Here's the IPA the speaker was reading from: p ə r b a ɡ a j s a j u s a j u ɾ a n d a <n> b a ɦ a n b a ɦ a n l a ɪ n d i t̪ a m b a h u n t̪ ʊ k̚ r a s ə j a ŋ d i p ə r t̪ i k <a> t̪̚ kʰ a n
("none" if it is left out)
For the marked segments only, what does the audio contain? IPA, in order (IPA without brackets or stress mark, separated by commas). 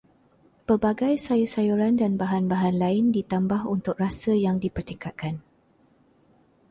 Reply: n, a